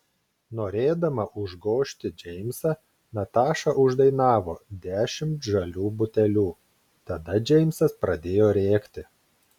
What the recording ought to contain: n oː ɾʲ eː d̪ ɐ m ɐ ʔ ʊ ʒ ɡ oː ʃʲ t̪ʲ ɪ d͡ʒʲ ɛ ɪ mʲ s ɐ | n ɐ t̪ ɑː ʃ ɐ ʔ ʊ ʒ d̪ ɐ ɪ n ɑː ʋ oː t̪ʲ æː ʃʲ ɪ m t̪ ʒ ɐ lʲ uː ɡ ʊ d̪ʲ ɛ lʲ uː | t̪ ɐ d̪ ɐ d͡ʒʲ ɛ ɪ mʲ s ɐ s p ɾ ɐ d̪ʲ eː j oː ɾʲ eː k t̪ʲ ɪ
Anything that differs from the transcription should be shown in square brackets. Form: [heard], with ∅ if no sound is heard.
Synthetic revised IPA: n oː ɾʲ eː d̪ ɐ m ɐ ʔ ʊ ʒ ɡ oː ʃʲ t̪ʲ ɪ d͡ʒʲ ɛ ɪ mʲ s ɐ | n ɐ t̪ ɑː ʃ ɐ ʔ ʊ ʒ d̪ ɐ ɪ n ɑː ʋ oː [d̪ʲ] æː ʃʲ ɪ m t̪ ʒ ɐ lʲ uː [b] ʊ [t̪ʲ] ɛ lʲ uː | t̪ ɐ d̪ ɐ d͡ʒʲ ɛ ɪ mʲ s ɐ s p ɾ ɐ d̪ʲ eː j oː ɾʲ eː k t̪ʲ ɪ

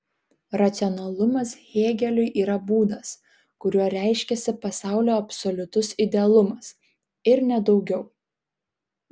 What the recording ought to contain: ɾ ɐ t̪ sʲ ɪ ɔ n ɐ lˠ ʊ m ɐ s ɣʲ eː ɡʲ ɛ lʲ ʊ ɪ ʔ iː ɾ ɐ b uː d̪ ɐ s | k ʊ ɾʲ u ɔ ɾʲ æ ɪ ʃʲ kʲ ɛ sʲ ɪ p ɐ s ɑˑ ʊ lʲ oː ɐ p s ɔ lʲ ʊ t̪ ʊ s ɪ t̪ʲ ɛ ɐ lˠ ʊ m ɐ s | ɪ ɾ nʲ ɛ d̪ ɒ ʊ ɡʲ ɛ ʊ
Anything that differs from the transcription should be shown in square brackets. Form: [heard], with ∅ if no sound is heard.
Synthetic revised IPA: ɾ ɐ t̪ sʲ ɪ ɔ n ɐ lˠ ʊ m ɐ s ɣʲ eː ɡʲ ɛ lʲ ʊ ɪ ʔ iː ɾ ɐ b uː d̪ ɐ s | k ʊ ɾʲ u ɔ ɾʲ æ ɪ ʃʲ kʲ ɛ sʲ ɪ p ɐ s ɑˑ ʊ lʲ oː ɐ p s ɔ lʲ ʊ t̪ ʊ s ɪ [d̪ʲ] ɛ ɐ lˠ ʊ m ɐ s | ɪ ɾ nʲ ɛ d̪ ɒ ʊ ɡʲ ɛ ʊ

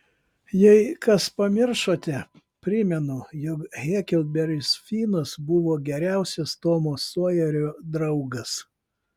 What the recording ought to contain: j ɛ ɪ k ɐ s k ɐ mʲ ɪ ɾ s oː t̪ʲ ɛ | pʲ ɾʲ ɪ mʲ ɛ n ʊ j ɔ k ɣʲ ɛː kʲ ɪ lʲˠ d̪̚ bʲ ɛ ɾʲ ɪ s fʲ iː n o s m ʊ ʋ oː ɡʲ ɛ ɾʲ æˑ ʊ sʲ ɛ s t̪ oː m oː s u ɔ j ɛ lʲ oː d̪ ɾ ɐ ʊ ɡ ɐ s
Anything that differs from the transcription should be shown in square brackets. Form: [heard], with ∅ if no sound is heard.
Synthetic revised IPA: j ɛ ɪ k ɐ s [p] ɐ mʲ ɪ ɾ [ʃ] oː t̪ʲ ɛ | pʲ ɾʲ ɪ mʲ ɛ n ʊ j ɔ k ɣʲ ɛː kʲ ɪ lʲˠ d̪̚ bʲ ɛ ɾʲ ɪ s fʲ iː n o s [b] ʊ ʋ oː ɡʲ ɛ ɾʲ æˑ ʊ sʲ ɛ s t̪ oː m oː s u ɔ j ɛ [ɾʲ] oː d̪ ɾ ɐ ʊ ɡ ɐ s

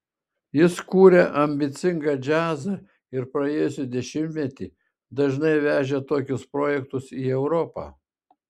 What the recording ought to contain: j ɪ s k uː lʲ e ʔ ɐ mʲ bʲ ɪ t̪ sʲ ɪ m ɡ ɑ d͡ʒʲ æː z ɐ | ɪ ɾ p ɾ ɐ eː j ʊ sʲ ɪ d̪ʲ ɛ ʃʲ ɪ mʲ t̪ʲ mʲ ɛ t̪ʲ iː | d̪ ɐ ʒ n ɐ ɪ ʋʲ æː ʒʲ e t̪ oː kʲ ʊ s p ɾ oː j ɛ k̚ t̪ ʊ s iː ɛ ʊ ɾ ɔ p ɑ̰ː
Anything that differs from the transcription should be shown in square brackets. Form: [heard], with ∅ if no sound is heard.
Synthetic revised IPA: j ɪ s k uː [ɾʲ] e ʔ ɐ mʲ bʲ ɪ t̪ sʲ ɪ [ŋ] ɡ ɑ d͡ʒʲ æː z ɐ | ɪ ɾ p ɾ ɐ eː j ʊ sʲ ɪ d̪ʲ ɛ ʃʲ ɪ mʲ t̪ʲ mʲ ɛ t̪ʲ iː | d̪ ɐ ʒ n ɐ ɪ ʋʲ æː ʒʲ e t̪ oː kʲ ʊ s p ɾ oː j ɛ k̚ t̪ ʊ s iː ɛ ʊ ɾ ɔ p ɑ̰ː

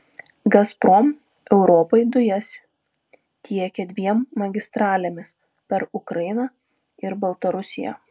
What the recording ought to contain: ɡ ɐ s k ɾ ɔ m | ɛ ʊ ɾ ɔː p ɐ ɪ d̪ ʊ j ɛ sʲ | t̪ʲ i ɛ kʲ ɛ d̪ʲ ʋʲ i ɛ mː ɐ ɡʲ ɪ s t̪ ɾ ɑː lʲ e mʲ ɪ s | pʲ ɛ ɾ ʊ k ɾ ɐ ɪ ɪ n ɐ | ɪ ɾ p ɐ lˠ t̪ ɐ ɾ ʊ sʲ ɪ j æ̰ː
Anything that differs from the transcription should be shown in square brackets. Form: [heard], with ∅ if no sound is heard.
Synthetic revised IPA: ɡ ɐ s [p] ɾ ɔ m | ɛ ʊ ɾ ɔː p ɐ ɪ d̪ ʊ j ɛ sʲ | t̪ʲ i ɛ kʲ ɛ d̪ʲ ʋʲ i ɛ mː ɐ ɡʲ ɪ s t̪ ɾ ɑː lʲ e mʲ ɪ s | pʲ ɛ ɾ ʊ k ɾ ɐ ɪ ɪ n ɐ | ɪ ɾ [b] ɐ lˠ t̪ ɐ ɾ ʊ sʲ ɪ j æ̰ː

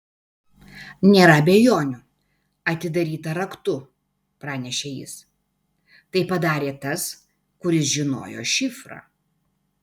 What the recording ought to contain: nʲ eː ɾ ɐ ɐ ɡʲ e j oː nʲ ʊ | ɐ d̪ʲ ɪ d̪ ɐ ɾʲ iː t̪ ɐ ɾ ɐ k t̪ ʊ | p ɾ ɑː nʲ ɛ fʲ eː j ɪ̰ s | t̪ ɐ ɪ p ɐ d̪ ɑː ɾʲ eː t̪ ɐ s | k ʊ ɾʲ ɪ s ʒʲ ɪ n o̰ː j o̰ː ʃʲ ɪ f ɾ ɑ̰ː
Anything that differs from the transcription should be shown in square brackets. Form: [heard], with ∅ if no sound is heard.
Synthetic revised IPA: nʲ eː ɾ ɐ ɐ [bʲ] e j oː nʲ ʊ | ɐ [t̪ʲ] ɪ d̪ ɐ ɾʲ iː t̪ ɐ ɾ ɐ k t̪ ʊ | p ɾ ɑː nʲ ɛ [ʃʲ] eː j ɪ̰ s | t̪ ɐ ɪ p ɐ d̪ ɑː ɾʲ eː t̪ ɐ s | k ʊ ɾʲ ɪ s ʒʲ ɪ n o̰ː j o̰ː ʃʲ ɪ f ɾ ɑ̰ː

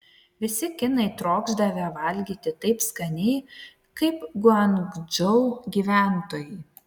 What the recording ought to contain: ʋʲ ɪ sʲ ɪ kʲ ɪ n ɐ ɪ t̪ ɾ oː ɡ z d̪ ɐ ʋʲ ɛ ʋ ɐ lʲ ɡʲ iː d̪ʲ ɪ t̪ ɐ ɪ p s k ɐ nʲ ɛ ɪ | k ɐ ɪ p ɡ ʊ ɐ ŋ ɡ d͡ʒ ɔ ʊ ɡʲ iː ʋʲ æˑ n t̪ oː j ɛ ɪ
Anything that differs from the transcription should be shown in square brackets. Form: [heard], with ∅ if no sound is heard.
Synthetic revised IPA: ʋʲ ɪ sʲ ɪ kʲ ɪ n ɐ ɪ t̪ ɾ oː ɡ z d̪ ɐ ʋʲ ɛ ʋ ɐ lʲ ɡʲ iː [t̪ʲ] ɪ t̪ ɐ ɪ p s k ɐ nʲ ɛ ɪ | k ɐ ɪ p ɡ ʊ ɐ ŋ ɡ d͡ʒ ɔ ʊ ɡʲ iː ʋʲ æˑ n t̪ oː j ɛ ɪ

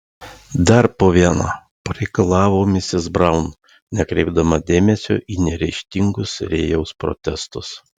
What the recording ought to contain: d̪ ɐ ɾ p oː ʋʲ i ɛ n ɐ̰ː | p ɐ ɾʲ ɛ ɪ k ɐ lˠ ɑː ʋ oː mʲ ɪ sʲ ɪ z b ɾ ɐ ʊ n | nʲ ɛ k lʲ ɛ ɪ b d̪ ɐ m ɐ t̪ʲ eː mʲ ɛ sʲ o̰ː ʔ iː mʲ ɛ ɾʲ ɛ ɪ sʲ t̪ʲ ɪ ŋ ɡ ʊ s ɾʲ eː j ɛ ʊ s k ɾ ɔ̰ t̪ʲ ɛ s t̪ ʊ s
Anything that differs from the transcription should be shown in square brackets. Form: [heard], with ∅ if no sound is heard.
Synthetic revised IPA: d̪ ɐ ɾ p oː ʋʲ i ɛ n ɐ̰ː | p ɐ ɾʲ ɛ ɪ k ɐ lˠ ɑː ʋ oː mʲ ɪ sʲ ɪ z b ɾ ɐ ʊ n | nʲ ɛ k [ɾʲ] ɛ ɪ b d̪ ɐ m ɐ [d̪ʲ] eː mʲ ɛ sʲ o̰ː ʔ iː [nʲ] ɛ ɾʲ ɛ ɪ [ʃʲ] t̪ʲ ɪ ŋ ɡ ʊ s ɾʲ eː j ɛ ʊ s [p] ɾ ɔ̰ t̪ʲ ɛ s t̪ ʊ s

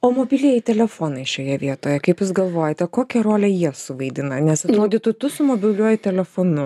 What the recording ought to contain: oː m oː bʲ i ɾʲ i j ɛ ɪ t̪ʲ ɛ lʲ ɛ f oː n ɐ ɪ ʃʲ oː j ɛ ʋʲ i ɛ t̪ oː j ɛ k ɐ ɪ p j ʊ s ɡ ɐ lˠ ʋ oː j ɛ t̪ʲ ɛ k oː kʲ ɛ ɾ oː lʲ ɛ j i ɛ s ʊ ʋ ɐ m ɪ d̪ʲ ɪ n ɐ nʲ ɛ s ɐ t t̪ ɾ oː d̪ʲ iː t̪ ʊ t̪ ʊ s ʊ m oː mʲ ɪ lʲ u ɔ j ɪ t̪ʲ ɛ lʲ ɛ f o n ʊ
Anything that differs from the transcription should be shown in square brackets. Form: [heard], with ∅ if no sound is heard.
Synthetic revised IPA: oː m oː bʲ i [lʲ] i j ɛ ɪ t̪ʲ ɛ lʲ ɛ f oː n ɐ ɪ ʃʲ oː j ɛ ʋʲ i ɛ t̪ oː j ɛ k ɐ ɪ p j ʊ s ɡ ɐ lˠ ʋ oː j ɛ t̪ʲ ɛ k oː kʲ ɛ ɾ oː lʲ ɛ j i ɛ s ʊ ʋ ɐ [∅] ɪ d̪ʲ ɪ n ɐ nʲ ɛ s ɐ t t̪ ɾ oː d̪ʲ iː t̪ ʊ t̪ ʊ s ʊ m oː [bʲ] ɪ lʲ u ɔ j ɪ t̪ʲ ɛ lʲ ɛ f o n ʊ

